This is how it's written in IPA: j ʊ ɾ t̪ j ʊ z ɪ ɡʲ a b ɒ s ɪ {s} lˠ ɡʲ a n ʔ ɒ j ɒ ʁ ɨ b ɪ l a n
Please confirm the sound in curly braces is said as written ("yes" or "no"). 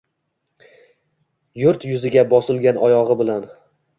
no